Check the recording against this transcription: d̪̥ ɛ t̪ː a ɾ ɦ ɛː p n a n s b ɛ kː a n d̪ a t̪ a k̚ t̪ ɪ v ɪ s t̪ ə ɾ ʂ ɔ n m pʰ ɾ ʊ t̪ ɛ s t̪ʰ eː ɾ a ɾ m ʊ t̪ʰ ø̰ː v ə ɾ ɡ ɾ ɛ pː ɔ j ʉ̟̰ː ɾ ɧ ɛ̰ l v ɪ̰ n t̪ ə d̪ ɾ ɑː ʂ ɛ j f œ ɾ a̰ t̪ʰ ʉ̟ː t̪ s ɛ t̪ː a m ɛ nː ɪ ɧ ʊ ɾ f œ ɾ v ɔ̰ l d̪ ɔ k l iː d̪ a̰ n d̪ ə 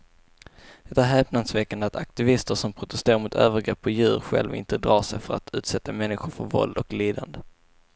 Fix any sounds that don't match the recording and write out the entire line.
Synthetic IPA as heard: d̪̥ ɛ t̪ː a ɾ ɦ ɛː p n a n s v ɛ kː a n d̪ a t̪ a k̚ t̪ ɪ v ɪ s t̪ ə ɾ ʂ ɔ m pʰ ɾ ʊ t̪ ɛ s t̪ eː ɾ a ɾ m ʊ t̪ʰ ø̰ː v ə ɾ ɡ ɾ ɛ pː ɔ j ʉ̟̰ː ɾ ɧ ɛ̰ l v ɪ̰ n t̪ ə d̪ ɾ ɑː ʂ ɛ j f œ ɾ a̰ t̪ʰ ʉ̟ː t̪ s ɛ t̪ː a m ɛ nː ɪ ɧ ʊ ɾ f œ ɾ v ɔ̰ l d̪ ɔ k l iː d̪ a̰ n d̪ ə